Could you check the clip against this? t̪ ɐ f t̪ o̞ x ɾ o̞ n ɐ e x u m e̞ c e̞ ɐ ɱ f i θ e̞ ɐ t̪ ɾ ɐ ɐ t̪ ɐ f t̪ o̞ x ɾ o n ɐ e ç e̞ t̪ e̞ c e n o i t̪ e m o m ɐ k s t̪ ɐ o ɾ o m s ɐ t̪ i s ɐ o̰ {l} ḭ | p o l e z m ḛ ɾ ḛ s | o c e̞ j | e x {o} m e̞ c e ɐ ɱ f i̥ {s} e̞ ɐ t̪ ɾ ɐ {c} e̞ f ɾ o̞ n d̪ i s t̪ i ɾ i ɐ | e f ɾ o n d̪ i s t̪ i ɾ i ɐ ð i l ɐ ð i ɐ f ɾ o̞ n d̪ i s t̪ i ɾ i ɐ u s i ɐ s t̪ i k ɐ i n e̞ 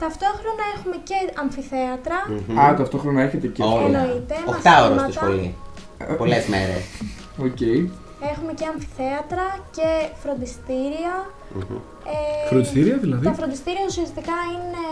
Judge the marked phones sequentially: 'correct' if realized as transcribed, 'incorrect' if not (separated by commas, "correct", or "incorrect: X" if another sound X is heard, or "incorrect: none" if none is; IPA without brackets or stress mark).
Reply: correct, incorrect: u, incorrect: θ, correct